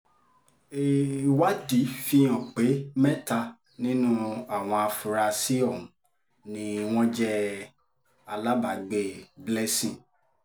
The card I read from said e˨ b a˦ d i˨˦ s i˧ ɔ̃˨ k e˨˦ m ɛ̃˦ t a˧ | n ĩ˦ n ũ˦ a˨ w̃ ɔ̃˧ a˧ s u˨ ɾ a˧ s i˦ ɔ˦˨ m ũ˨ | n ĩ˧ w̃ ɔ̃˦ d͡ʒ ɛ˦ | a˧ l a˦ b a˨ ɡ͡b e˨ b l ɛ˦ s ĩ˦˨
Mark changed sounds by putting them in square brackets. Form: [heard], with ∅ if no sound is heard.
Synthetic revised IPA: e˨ [w] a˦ d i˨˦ [f] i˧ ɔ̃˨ [k͡p] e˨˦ m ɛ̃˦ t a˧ | n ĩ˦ n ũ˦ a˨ w̃ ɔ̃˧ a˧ [f] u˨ ɾ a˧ s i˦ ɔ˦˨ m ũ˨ | n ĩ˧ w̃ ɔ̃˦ d͡ʒ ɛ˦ | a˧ l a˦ b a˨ ɡ͡b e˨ b l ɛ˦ s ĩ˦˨